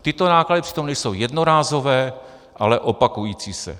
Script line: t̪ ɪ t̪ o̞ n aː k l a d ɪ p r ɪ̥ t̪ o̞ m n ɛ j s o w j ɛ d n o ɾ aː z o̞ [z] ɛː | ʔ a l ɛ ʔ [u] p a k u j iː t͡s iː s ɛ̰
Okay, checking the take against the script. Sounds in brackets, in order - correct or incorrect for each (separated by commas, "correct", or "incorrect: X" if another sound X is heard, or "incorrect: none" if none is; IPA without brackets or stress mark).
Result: incorrect: v, incorrect: o